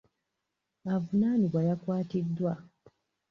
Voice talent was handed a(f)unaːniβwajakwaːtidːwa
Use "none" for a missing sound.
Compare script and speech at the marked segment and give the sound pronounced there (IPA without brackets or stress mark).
v